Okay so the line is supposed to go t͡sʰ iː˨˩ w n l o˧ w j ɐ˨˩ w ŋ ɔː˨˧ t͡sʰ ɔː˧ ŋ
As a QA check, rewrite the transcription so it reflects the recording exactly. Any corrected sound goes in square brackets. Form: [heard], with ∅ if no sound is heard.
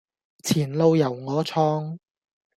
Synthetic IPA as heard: t͡sʰ iː˨˩ [∅] n l o˧ w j ɐ˨˩ w ŋ ɔː˨˧ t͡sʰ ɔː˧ ŋ

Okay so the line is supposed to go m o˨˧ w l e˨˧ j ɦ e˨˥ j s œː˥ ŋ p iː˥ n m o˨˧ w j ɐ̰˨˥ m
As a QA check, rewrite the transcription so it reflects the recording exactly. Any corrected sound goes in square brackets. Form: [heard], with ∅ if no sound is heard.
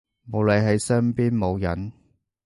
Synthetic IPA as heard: m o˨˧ w l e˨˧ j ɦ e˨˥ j s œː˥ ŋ p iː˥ n m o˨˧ w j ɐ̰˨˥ [n]

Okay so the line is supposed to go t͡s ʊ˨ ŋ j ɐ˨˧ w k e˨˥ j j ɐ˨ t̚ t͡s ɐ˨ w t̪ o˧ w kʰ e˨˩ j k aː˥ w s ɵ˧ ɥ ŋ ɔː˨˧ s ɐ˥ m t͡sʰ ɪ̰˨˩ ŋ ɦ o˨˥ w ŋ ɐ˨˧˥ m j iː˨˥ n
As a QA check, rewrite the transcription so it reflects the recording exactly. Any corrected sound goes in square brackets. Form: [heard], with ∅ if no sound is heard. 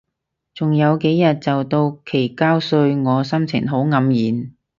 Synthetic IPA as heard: t͡s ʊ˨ ŋ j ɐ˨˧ w k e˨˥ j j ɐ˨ t̚ t͡s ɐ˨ w t̪ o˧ w kʰ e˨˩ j k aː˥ w s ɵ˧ ɥ ŋ ɔː˨˧ s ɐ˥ m t͡sʰ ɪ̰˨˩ ŋ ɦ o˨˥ w ŋ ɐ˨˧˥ m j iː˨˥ n

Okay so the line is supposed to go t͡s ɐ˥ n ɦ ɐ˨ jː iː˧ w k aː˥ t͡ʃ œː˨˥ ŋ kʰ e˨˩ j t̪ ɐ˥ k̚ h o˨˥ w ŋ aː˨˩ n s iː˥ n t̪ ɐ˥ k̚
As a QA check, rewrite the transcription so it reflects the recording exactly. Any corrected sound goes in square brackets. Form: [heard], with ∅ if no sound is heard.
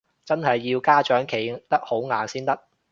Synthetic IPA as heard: t͡s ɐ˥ n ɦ ɐ˨ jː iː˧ w k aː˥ t͡ʃ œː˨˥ ŋ kʰ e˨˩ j t̪ ɐ˥ k̚ h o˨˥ w ŋ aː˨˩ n s iː˥ n t̪ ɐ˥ k̚

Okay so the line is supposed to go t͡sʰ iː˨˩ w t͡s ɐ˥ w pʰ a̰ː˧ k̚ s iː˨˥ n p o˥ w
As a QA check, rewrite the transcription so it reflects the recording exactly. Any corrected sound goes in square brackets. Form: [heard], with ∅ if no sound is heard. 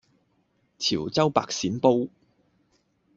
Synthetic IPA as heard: t͡sʰ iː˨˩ w t͡s ɐ˥ w [p] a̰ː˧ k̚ s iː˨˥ n p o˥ w

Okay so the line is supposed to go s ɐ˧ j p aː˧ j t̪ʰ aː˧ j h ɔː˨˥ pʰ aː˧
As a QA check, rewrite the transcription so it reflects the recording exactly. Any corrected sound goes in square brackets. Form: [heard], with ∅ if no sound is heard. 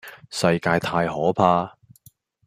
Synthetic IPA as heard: s ɐ˧ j [k] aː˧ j t̪ʰ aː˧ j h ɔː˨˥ pʰ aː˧

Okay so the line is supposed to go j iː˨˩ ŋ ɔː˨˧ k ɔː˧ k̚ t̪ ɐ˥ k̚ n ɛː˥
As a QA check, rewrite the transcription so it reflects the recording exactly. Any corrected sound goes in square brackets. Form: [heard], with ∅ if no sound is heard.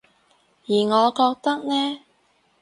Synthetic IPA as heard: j iː˨˩ ŋ ɔː˨˧ k ɔː˧ k̚ t̪ ɐ˥ k̚ n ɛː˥

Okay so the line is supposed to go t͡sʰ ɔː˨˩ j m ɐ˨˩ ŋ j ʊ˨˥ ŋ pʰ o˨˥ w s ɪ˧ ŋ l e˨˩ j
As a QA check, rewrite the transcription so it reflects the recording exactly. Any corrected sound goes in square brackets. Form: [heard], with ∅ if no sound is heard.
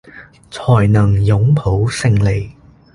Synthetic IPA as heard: t͡sʰ ɔː˨˩ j [n] ɐ˨˩ ŋ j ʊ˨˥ ŋ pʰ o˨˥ w s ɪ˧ ŋ l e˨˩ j

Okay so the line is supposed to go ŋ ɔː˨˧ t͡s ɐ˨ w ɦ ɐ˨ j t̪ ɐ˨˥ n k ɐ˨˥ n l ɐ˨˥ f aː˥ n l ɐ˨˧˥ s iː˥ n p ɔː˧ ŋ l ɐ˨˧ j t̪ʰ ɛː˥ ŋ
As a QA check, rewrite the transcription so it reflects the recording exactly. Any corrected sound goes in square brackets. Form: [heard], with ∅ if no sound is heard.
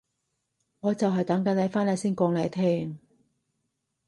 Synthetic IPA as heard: ŋ ɔː˨˧ t͡s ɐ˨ w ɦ ɐ˨ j t̪ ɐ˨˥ [ŋ] k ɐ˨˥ n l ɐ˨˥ f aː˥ n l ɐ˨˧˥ s iː˥ n [k] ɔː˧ ŋ l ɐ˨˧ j t̪ʰ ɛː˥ ŋ

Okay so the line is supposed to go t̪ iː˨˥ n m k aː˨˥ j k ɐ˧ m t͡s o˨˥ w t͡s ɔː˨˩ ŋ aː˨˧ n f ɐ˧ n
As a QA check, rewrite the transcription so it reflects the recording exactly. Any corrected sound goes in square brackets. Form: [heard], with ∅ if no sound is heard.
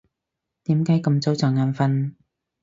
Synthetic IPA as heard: t̪ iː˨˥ [∅] m k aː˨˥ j k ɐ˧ m t͡s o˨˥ w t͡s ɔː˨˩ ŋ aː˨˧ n f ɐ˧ n

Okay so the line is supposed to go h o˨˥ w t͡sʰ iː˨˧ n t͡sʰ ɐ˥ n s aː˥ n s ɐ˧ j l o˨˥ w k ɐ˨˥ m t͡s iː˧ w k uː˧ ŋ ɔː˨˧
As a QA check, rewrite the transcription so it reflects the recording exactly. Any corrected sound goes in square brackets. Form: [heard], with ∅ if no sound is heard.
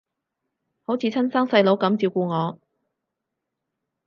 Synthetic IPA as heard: h o˨˥ w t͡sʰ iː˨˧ [∅] t͡sʰ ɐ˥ n s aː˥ [ŋ] s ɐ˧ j l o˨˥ w k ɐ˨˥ m t͡s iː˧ w k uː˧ ŋ ɔː˨˧

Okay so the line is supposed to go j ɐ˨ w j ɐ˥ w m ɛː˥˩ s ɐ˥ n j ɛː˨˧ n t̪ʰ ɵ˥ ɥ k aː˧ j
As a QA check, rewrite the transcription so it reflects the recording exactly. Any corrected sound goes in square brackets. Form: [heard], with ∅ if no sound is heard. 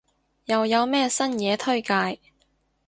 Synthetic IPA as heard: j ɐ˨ w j [ɐ˨˧] w m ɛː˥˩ s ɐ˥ n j ɛː˨˧ [∅] t̪ʰ ɵ˥ ɥ k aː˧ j

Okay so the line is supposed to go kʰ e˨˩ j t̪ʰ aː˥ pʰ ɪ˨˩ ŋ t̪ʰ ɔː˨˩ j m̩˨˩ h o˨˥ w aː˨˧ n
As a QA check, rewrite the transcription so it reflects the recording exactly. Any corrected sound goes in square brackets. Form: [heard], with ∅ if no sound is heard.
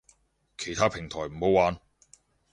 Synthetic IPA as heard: kʰ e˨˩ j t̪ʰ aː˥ pʰ ɪ˨˩ ŋ t̪ʰ ɔː˨˩ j m̩˨˩ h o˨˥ w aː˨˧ n

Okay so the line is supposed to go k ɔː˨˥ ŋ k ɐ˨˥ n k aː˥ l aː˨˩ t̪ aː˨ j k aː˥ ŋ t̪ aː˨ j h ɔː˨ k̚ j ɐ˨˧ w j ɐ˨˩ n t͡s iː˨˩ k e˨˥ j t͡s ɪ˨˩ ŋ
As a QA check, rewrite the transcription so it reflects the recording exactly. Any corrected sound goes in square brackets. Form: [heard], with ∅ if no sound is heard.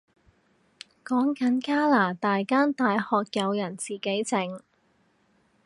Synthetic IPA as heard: k ɔː˨˥ ŋ k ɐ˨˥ n k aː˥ l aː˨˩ t̪ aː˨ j k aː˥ [n] t̪ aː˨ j h ɔː˨ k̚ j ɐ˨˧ w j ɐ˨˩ n t͡s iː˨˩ k e˨˥ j t͡s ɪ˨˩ ŋ

